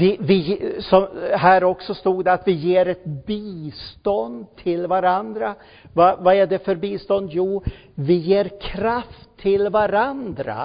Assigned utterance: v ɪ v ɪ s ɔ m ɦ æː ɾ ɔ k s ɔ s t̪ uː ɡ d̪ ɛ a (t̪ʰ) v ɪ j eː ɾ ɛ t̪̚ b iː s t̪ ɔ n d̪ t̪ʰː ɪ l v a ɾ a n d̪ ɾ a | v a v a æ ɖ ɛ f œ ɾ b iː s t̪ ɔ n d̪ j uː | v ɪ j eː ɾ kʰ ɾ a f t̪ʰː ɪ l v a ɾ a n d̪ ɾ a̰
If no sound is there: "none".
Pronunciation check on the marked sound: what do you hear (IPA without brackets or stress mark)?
t̪